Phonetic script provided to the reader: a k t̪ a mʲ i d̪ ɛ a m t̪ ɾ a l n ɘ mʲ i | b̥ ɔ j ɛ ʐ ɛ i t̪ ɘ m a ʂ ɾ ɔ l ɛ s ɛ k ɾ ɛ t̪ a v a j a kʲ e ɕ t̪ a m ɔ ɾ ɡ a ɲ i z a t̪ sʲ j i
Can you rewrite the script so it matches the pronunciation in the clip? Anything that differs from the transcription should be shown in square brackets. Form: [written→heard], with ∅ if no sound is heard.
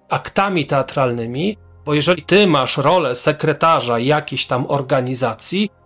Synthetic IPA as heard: a k t̪ a mʲ i [d̪→t̪] ɛ a [m→∅] t̪ ɾ a l n ɘ mʲ i | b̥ ɔ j ɛ ʐ ɛ i t̪ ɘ m a ʂ ɾ ɔ l ɛ s ɛ k ɾ ɛ t̪ a [v→ʐ] a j a kʲ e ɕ t̪ a m ɔ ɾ ɡ a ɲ i z a t̪ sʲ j i